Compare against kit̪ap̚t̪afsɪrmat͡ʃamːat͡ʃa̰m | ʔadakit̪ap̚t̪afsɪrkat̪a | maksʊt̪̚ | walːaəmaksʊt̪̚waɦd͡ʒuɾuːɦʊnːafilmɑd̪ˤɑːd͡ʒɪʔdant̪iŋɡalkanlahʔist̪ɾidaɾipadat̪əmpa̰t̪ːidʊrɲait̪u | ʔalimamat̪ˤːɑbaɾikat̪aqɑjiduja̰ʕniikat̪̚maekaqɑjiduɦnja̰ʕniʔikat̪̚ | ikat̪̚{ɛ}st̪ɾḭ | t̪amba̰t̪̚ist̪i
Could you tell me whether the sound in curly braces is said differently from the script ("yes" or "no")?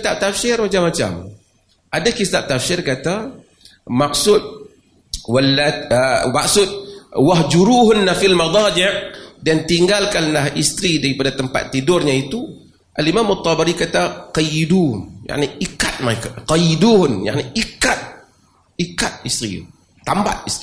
yes